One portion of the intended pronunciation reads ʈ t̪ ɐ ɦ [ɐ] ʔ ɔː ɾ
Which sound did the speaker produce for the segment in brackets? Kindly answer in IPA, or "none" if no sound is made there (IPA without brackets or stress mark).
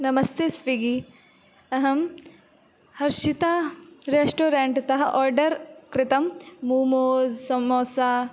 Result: ɐ